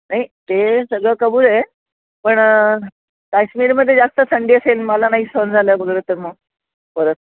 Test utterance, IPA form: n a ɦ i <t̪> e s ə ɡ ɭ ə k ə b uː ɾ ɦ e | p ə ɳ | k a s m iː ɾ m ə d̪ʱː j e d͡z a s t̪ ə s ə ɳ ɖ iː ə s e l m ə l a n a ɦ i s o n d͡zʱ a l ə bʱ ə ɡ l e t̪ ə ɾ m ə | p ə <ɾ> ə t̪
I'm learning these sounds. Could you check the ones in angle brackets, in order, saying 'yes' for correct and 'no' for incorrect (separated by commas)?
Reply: yes, yes